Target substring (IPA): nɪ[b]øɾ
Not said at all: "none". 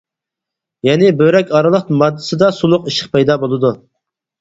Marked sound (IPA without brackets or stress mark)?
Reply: b